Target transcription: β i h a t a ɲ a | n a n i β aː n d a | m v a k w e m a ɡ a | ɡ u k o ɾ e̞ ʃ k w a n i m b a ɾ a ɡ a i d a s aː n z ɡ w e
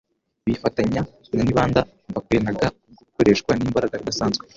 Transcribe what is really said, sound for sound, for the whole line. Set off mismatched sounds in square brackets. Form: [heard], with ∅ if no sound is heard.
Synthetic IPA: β i [f] a t a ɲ a | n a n i β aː n d a | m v a k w e [n] a ɡ a | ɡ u k o ɾ e̞ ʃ k w a n i m b a ɾ a ɡ a i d a s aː n z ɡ w e